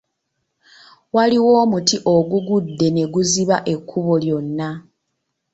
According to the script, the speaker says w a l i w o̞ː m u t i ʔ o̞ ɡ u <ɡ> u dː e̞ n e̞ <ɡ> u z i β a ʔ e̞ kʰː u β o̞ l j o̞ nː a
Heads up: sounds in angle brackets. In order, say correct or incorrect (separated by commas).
correct, correct